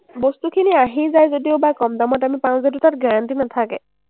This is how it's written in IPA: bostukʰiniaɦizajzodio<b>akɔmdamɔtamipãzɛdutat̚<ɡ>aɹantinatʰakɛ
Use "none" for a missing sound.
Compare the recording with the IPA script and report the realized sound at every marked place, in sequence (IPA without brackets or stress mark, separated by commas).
b, ɡ